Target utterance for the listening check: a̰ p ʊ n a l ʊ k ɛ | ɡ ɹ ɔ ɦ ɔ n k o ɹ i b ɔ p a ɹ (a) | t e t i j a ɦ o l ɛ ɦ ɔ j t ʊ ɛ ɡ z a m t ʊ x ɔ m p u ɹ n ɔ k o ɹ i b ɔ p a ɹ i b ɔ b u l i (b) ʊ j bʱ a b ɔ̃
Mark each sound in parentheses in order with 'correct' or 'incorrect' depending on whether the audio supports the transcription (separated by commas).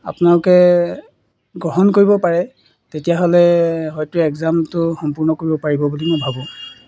incorrect, incorrect